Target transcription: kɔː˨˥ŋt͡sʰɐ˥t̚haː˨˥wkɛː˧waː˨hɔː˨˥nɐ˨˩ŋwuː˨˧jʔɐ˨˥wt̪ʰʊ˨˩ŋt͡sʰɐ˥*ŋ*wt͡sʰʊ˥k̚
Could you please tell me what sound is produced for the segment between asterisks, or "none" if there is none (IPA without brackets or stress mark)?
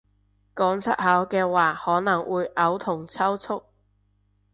none